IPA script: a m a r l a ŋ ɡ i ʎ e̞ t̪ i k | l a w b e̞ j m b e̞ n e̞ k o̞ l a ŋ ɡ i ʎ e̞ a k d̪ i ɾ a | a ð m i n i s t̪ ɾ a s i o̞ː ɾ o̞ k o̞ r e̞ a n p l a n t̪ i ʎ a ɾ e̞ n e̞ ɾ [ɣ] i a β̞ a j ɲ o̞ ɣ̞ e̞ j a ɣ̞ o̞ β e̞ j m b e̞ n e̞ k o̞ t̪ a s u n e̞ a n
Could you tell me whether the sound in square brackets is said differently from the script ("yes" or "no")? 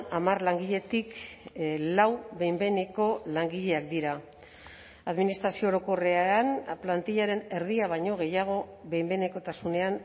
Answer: yes